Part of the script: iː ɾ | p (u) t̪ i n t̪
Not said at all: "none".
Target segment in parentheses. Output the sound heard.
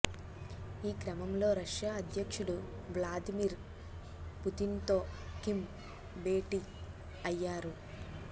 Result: u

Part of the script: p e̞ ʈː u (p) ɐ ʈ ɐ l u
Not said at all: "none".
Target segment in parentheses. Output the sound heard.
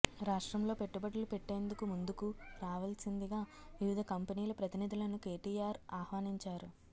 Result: b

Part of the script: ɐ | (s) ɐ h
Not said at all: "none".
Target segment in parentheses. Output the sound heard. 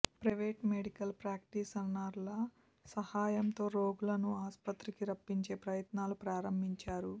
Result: s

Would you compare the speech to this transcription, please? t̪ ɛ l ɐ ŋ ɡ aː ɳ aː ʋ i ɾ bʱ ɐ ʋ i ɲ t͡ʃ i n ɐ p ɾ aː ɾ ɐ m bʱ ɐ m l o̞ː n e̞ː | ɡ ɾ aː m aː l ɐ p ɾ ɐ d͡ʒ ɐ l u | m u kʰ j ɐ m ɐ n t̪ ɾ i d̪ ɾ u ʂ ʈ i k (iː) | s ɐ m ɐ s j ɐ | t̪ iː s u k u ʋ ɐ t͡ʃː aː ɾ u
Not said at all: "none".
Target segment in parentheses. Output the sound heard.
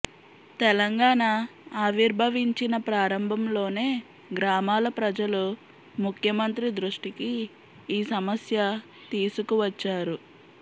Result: iː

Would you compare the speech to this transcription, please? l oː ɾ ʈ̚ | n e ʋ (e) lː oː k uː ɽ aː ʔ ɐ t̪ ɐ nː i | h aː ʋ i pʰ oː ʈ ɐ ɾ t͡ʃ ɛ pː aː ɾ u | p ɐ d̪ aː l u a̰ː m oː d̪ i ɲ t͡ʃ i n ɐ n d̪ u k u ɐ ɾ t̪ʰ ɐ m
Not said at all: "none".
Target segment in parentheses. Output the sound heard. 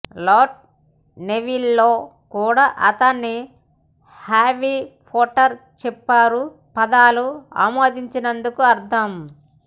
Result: i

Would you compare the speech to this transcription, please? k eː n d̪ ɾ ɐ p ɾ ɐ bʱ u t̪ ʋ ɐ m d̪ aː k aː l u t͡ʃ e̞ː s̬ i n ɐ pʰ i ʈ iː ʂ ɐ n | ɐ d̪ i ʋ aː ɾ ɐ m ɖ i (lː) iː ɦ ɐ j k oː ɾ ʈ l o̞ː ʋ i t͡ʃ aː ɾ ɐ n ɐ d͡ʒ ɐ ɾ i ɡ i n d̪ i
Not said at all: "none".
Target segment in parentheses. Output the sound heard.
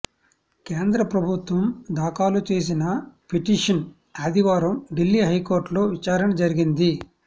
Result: lː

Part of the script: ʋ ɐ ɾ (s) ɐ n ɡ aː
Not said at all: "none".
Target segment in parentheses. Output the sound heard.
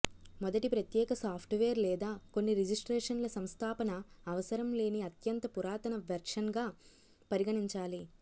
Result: ʂ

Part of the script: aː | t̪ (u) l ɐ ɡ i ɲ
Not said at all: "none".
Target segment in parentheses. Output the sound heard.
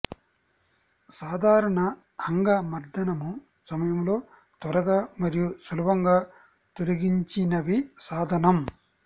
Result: o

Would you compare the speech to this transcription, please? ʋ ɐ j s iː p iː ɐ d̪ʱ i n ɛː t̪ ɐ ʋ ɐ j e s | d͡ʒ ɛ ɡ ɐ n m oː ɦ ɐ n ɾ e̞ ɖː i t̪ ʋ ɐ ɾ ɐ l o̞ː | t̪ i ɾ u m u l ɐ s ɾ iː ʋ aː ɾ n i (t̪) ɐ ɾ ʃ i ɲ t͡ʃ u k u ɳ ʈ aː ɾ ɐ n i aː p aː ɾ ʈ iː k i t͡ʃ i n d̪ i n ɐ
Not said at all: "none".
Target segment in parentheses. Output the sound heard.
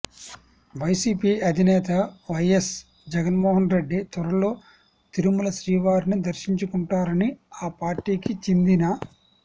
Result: d̪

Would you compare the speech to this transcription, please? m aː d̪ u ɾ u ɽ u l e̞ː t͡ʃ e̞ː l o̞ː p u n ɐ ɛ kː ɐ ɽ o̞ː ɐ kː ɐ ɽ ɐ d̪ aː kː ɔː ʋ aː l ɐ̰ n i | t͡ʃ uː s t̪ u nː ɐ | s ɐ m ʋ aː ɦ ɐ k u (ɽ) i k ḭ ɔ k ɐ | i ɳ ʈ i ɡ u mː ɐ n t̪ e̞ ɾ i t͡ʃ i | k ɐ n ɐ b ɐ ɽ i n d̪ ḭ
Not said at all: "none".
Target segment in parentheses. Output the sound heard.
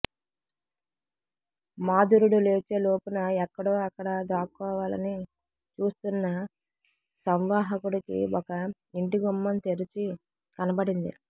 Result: ɽ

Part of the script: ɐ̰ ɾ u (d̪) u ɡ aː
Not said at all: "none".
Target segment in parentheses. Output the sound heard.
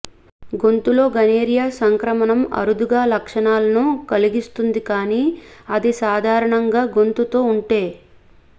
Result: d̪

